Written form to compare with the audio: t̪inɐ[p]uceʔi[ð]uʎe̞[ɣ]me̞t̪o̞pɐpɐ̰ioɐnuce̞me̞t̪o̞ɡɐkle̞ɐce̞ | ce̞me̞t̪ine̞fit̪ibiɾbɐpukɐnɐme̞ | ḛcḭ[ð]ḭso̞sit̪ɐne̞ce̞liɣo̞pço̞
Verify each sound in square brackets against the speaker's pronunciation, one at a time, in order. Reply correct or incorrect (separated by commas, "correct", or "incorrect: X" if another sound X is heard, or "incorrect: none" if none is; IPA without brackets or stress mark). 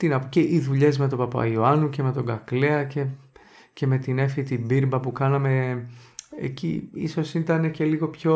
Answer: correct, correct, incorrect: z, incorrect: none